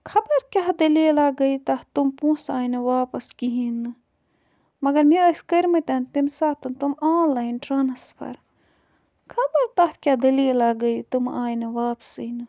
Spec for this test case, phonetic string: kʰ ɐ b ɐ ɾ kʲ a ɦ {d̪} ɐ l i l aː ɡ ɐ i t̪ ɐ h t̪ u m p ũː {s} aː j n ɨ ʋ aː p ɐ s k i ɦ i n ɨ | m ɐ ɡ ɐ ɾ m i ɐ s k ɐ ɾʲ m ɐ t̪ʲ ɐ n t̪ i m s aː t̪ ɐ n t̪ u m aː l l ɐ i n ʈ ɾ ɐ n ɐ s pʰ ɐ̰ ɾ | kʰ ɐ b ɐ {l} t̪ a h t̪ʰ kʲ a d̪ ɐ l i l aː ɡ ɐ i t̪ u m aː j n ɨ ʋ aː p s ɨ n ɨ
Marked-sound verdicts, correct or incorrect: correct, correct, incorrect: ɾ

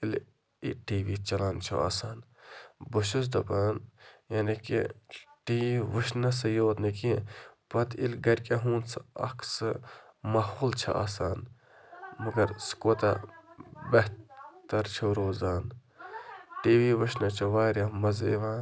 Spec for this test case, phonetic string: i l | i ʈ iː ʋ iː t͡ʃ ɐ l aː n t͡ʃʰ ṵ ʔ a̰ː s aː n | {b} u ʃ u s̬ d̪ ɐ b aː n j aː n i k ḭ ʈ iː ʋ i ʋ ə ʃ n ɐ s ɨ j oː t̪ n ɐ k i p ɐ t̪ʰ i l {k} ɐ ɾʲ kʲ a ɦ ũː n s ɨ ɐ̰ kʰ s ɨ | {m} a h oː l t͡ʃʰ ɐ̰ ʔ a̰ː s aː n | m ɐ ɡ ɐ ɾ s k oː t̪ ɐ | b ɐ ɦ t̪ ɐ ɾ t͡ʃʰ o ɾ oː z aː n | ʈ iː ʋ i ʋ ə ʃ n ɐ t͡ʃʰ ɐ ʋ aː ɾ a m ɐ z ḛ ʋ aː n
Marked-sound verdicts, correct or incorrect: correct, incorrect: ɡ, correct

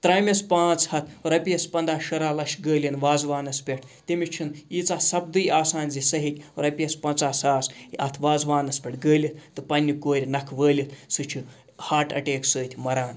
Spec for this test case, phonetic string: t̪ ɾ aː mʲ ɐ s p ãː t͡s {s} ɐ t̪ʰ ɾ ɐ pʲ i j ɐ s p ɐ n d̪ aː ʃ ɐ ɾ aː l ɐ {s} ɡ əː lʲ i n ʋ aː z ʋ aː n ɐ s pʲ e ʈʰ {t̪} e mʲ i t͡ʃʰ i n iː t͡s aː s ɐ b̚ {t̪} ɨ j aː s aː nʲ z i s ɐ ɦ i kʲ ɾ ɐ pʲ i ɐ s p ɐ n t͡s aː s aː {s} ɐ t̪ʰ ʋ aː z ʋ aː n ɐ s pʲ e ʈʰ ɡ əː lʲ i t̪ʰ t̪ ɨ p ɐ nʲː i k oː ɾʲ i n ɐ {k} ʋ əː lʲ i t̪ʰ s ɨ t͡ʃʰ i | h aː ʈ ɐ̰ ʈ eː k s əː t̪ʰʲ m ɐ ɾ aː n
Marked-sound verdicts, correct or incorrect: incorrect: h, incorrect: ʃ, correct, incorrect: d̪, correct, incorrect: kʰ

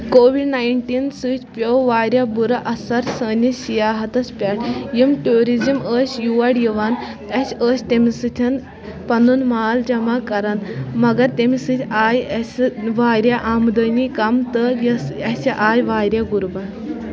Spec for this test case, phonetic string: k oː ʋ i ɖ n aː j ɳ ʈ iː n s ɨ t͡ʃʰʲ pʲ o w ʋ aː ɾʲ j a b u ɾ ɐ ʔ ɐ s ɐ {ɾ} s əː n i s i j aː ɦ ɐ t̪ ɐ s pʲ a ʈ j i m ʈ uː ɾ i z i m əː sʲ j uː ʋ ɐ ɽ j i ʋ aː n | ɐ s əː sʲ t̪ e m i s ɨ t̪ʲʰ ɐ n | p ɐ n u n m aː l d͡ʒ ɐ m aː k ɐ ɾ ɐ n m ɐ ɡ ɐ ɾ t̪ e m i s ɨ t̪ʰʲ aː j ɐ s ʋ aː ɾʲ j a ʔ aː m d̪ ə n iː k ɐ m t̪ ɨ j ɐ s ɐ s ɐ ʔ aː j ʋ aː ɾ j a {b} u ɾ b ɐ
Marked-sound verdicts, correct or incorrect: correct, incorrect: ɡ

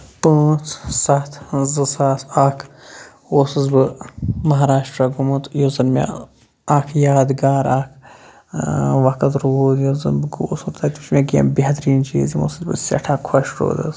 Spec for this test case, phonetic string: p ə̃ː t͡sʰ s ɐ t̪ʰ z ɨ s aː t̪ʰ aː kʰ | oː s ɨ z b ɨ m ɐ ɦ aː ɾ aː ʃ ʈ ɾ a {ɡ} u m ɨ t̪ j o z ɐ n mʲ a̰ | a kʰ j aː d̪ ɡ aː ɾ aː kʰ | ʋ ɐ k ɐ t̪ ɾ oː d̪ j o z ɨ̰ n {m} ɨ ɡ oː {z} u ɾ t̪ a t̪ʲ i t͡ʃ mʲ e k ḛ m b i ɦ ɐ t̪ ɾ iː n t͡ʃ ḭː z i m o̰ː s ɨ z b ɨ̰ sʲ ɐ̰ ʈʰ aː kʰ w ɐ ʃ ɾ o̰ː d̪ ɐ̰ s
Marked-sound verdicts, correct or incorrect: correct, incorrect: b, incorrect: s

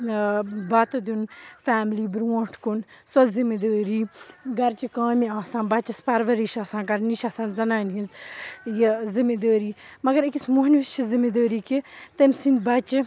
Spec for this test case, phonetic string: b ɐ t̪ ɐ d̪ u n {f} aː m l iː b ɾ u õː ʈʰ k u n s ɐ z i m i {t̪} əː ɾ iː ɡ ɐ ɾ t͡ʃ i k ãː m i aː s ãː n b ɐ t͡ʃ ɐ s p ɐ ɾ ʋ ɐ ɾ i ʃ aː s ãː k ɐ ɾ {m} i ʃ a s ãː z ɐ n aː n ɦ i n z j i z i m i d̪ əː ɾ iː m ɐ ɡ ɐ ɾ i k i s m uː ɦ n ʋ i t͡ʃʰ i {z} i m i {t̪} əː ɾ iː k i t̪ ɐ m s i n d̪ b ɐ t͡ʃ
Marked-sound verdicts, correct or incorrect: correct, incorrect: d̪, incorrect: n, correct, incorrect: d̪

